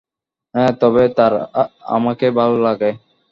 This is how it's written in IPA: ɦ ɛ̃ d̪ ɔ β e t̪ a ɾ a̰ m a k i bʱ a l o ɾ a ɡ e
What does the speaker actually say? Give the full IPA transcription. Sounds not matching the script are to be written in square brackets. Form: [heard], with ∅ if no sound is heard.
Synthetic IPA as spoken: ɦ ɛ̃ [t̪] ɔ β e t̪ a ɾ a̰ m a k [e] bʱ a l o [l] a ɡ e